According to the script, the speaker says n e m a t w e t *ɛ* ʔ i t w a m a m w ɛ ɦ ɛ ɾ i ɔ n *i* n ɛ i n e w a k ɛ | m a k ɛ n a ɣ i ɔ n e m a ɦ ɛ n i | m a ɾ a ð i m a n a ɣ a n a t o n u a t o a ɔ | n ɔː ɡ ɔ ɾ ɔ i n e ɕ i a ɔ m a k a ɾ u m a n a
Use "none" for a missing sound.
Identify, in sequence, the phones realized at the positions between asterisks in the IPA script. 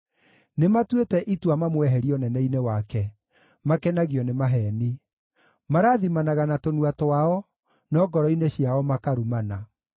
ɛ, ɛ

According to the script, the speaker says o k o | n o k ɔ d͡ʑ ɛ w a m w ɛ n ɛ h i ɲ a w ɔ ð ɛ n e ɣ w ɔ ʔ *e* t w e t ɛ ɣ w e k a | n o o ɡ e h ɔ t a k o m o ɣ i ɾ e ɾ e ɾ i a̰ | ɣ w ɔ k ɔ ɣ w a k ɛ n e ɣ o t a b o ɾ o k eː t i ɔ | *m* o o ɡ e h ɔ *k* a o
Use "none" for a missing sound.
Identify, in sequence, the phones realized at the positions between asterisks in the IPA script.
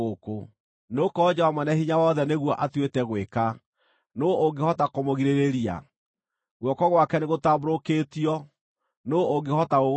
a, n, t

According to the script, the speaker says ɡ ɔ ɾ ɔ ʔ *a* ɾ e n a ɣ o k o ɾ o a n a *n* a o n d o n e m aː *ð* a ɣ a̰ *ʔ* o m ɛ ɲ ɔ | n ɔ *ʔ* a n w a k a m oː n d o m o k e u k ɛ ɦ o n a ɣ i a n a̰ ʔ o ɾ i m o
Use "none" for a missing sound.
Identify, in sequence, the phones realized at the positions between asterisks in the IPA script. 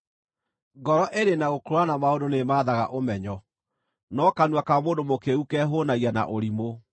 e, m, ð, ʔ, k

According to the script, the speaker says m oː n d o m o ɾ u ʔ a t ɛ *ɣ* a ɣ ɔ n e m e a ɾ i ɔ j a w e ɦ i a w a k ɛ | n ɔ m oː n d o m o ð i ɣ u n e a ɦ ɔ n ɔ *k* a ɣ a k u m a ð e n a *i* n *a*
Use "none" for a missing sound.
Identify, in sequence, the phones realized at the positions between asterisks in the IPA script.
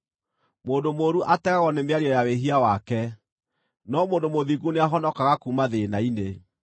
ɣ, k, i, e

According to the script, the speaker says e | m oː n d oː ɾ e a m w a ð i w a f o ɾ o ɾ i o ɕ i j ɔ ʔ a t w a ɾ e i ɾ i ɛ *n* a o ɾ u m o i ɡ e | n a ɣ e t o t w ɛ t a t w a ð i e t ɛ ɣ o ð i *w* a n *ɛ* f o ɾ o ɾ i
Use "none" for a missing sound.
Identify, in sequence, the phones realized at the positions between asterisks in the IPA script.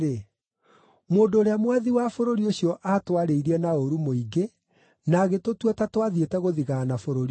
n, ɣ, a

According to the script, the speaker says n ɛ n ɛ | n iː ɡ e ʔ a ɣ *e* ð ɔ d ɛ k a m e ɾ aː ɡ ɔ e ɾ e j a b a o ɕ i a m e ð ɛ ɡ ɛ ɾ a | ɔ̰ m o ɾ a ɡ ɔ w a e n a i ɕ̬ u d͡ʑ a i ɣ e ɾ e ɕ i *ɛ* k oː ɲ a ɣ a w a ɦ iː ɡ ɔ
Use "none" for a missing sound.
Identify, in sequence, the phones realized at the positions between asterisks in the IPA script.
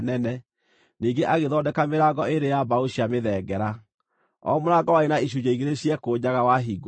e, ɛ

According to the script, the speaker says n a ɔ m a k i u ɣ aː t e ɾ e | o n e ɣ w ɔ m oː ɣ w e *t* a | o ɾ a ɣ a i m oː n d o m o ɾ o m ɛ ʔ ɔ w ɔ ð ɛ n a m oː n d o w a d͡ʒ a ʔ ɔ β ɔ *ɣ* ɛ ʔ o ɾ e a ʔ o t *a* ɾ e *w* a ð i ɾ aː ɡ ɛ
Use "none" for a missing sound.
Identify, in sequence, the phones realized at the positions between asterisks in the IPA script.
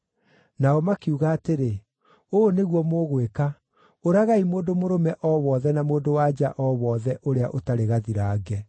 k, ð, a, ɣ

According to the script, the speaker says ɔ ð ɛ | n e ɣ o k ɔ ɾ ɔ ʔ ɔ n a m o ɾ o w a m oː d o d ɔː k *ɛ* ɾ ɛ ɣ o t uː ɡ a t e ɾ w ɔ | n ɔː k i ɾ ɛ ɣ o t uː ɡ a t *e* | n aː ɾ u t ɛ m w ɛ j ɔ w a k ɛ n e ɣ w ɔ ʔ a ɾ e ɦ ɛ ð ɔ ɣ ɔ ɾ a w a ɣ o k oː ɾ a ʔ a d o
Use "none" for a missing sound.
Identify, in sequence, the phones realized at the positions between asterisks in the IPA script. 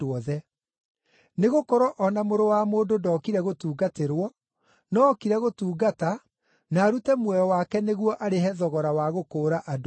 i, a

